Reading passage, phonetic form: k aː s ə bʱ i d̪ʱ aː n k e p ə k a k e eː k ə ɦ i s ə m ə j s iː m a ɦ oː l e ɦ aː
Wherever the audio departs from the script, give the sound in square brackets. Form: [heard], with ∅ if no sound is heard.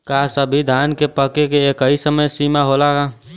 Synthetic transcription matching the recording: k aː s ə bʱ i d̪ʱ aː n k e p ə k [e] k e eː k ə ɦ i s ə m ə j s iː m a ɦ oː l [a] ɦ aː